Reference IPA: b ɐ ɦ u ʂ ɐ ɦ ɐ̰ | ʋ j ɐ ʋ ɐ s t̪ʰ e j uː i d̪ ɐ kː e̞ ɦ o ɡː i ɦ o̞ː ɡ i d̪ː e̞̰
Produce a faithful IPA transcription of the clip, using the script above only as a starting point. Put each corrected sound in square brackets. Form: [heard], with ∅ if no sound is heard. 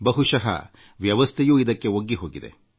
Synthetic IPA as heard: b ɐ ɦ u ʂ ɐ ɦ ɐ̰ | ʋ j ɐ ʋ ɐ s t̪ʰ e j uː i d̪ ɐ kː e̞ [∅] o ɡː i ɦ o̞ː ɡ i [d̪] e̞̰